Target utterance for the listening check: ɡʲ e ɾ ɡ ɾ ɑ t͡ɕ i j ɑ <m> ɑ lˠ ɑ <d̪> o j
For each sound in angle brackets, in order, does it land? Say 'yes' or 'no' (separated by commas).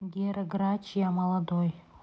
yes, yes